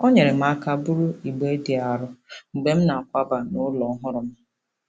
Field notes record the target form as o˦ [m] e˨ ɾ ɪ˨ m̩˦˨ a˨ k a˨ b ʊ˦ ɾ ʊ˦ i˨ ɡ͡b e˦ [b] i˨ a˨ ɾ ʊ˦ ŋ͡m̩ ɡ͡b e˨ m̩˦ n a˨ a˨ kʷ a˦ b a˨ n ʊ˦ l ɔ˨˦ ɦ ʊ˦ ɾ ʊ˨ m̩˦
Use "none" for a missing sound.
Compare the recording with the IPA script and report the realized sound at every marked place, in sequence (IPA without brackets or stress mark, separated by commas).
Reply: ɲ, d